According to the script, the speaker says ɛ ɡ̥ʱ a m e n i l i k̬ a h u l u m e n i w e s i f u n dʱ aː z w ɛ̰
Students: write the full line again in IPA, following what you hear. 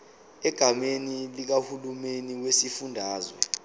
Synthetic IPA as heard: ɛ ɡ̥ʱ a m e n i l i k̬ a h u l u m e n i w e s i f u n dʱ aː z w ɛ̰